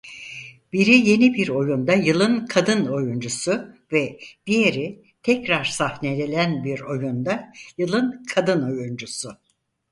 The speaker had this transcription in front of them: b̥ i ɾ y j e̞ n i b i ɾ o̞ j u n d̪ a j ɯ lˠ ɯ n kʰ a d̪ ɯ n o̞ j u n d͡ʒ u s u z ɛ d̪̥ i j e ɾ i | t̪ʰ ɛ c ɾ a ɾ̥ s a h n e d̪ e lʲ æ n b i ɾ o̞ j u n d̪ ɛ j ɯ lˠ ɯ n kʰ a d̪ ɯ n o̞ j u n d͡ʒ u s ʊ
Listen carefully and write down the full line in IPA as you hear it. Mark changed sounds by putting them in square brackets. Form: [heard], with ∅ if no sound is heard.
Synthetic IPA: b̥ i ɾ [i] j e̞ n i b i ɾ o̞ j u n d̪ a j ɯ lˠ ɯ n kʰ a d̪ ɯ n o̞ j u n d͡ʒ u s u [v] ɛ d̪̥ i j e ɾ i | t̪ʰ ɛ c ɾ a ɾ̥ s a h n e d̪ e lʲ æ n b i ɾ o̞ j u n d̪ [a] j ɯ lˠ ɯ n kʰ a d̪ ɯ n o̞ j u n d͡ʒ u s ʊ